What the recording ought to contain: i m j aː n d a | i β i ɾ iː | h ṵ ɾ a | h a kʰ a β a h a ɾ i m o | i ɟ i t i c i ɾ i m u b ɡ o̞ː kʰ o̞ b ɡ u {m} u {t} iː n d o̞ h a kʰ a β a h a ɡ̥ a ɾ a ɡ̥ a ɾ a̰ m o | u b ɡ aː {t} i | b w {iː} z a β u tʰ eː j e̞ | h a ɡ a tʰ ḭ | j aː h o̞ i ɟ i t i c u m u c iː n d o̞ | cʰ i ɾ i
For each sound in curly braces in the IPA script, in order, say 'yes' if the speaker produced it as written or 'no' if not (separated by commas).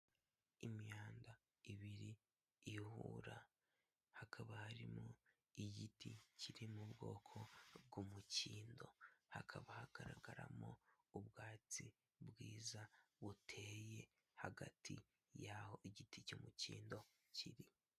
yes, no, no, yes